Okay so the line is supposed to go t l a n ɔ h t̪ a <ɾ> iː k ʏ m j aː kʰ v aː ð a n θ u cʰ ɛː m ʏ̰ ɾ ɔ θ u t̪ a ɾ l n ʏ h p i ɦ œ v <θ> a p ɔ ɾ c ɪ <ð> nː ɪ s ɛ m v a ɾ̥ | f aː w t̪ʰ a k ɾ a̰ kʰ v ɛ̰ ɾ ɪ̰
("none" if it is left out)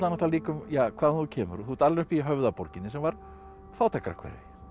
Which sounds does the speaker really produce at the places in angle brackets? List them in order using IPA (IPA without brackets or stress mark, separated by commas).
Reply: l, ð, none